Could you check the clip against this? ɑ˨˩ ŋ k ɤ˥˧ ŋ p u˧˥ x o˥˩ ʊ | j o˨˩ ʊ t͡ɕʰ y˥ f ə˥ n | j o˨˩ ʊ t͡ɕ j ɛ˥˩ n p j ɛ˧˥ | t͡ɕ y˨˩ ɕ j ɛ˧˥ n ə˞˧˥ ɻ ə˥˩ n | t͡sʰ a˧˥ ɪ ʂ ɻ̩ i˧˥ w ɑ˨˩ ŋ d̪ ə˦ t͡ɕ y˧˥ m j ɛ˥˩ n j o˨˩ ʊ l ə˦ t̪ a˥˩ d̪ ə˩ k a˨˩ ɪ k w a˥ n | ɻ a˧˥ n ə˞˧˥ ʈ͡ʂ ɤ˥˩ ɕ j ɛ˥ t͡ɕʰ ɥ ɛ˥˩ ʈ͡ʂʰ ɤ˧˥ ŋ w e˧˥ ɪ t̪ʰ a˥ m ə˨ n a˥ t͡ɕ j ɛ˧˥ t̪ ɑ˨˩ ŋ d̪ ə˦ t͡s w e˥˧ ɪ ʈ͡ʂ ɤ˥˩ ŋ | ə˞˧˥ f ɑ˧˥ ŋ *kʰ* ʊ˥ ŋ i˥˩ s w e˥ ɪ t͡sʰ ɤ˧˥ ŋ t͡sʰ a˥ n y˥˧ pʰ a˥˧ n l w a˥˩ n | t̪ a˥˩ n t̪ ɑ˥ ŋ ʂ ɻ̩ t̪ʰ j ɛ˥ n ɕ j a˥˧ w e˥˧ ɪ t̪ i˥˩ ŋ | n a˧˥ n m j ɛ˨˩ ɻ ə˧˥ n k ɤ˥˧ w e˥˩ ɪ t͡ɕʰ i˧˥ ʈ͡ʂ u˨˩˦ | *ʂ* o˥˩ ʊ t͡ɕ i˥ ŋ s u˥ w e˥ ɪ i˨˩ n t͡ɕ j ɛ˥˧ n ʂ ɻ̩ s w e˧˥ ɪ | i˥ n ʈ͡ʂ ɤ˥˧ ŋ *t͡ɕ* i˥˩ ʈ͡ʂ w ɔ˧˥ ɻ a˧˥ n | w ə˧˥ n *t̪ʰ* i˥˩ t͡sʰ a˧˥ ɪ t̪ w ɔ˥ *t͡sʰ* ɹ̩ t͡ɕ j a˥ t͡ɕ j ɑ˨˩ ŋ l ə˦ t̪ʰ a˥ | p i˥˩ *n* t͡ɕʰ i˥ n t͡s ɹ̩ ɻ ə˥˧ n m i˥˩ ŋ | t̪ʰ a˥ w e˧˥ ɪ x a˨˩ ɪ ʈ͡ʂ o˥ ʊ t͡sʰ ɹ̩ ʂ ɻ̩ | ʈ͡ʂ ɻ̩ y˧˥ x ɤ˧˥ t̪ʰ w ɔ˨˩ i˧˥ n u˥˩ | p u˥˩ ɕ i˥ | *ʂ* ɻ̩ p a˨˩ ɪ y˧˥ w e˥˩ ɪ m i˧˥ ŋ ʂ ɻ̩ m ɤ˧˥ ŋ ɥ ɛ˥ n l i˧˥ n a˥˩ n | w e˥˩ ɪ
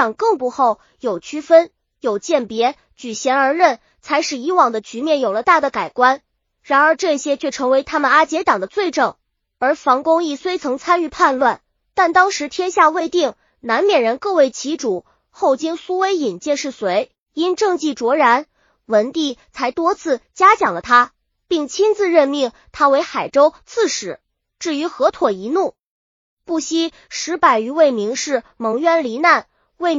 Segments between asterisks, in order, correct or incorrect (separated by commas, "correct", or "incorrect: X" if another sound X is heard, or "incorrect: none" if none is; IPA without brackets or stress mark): incorrect: k, incorrect: x, correct, incorrect: t̪, correct, incorrect: ŋ, correct